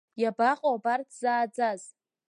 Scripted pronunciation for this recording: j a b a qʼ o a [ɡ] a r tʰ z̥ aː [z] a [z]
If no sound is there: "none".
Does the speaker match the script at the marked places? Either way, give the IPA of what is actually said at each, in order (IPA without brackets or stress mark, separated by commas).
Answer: b, d͡z, z